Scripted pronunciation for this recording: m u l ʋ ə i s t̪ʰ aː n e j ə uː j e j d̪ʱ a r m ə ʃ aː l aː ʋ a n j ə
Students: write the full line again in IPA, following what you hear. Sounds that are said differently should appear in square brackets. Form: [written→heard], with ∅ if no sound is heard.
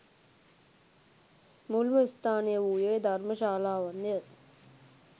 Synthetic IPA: m u l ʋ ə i s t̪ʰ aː n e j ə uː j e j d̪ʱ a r m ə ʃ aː l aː ʋ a n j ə